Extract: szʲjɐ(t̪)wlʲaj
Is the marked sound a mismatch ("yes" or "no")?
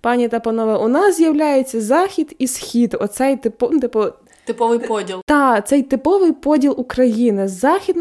yes